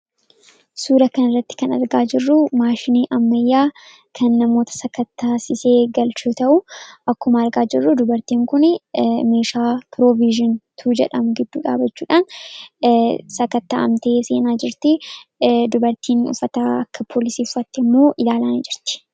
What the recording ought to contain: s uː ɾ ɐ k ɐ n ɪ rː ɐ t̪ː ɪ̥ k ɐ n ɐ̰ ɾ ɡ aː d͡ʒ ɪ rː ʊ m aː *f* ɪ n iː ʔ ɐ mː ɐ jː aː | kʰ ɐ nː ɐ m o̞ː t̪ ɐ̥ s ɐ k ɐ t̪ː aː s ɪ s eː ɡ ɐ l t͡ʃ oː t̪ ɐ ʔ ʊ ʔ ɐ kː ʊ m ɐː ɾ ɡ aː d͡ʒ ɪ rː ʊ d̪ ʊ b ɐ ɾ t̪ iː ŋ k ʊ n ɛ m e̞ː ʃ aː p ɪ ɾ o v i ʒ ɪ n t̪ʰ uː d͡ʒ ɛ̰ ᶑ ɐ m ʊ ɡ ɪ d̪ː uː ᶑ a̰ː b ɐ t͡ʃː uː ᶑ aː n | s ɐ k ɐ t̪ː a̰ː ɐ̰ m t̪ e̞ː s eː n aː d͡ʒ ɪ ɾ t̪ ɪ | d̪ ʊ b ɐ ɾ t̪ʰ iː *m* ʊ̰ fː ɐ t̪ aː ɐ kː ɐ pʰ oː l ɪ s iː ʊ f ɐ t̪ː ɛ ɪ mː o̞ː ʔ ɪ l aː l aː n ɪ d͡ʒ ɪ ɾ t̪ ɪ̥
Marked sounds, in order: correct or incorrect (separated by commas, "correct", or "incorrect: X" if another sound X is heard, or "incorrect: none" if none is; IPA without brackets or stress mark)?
incorrect: ʃ, incorrect: n